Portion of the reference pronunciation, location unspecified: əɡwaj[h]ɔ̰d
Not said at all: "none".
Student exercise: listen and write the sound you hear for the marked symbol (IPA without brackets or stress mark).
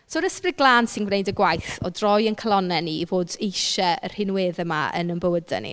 θ